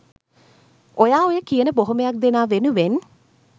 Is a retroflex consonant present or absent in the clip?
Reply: absent